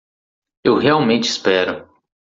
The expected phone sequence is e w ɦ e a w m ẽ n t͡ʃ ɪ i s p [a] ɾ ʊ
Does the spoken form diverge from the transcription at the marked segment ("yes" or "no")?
yes